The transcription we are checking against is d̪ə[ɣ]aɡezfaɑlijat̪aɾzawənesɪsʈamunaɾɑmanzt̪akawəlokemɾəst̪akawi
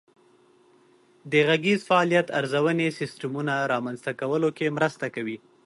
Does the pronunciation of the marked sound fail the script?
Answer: no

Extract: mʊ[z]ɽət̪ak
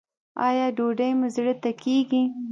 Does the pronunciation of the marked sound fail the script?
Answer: no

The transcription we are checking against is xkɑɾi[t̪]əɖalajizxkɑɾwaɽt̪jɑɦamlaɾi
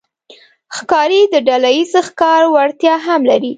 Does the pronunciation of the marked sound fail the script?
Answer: yes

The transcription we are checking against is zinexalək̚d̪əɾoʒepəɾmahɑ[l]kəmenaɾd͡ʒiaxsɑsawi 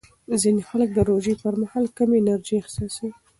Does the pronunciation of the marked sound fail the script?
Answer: no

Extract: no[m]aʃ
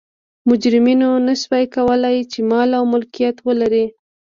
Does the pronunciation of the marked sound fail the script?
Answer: yes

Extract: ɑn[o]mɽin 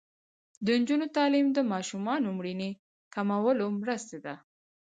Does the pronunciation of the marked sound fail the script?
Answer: no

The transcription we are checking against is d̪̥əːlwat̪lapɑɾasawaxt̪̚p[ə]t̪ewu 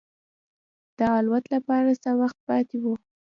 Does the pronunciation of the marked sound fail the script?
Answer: yes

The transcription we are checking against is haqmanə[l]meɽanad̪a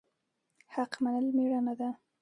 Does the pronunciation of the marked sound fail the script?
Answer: no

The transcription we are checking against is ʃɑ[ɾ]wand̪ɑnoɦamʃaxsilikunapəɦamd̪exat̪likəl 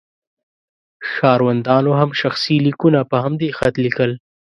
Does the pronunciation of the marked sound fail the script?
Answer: no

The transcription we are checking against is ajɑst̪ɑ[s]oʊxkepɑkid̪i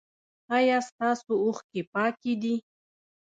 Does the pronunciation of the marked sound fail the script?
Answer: no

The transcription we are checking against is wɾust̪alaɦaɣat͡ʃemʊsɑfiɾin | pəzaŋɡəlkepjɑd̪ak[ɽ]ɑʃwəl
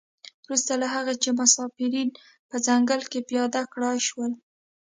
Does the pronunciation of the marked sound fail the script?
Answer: no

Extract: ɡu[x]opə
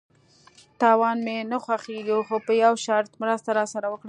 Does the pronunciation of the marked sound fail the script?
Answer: no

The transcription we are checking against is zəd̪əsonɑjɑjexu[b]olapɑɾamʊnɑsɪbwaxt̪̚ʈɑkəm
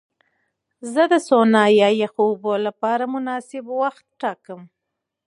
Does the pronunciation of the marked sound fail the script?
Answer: no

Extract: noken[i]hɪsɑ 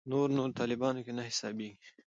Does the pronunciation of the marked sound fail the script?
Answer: yes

